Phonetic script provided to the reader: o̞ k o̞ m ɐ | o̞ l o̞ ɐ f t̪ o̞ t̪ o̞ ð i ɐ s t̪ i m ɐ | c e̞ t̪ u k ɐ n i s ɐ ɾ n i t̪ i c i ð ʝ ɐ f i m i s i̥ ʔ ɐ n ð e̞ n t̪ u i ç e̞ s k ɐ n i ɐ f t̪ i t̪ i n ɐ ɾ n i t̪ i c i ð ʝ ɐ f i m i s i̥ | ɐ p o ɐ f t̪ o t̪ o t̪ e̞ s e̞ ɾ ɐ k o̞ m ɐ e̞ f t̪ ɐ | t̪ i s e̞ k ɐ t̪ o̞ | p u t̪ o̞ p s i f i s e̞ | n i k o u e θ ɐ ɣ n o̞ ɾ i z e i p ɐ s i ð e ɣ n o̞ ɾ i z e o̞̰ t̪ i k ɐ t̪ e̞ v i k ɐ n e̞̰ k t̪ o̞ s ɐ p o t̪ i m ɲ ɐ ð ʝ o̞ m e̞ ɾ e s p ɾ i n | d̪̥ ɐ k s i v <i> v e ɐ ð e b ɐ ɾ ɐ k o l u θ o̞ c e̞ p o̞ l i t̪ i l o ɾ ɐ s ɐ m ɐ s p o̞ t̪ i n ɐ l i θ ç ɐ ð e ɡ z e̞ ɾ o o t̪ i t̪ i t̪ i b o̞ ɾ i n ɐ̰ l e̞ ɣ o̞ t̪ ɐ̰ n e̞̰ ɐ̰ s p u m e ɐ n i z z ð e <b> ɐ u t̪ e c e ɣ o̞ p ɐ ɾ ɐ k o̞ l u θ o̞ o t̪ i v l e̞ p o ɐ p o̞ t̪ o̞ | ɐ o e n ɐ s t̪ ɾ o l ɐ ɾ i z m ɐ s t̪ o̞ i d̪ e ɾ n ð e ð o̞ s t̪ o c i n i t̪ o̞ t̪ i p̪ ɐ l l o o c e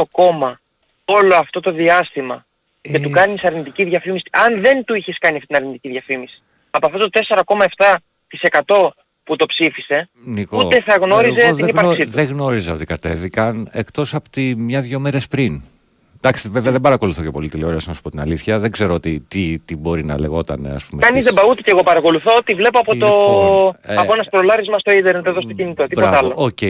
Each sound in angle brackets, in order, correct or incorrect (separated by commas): incorrect, correct